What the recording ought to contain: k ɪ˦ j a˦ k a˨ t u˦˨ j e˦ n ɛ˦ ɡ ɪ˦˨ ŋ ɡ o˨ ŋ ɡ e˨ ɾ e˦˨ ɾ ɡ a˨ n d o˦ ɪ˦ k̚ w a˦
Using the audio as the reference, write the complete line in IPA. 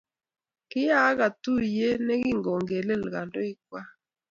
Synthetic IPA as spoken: k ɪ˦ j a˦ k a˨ t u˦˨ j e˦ n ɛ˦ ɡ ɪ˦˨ ŋ ɡ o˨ ŋ ɡ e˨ l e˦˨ l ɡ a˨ n d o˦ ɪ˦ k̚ w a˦